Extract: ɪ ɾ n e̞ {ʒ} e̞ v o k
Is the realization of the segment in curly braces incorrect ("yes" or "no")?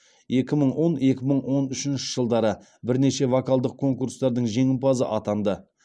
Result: yes